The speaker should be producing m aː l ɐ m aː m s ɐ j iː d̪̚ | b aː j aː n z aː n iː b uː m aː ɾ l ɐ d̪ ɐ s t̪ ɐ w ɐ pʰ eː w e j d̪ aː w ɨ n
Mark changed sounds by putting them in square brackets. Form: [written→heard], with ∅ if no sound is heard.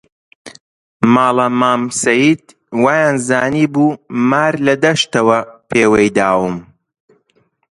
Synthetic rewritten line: m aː l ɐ m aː m s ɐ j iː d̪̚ | [b→w] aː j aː n z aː n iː b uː m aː ɾ l ɐ d̪ ɐ [s→ʃ] t̪ ɐ w ɐ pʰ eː w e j d̪ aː w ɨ [n→m]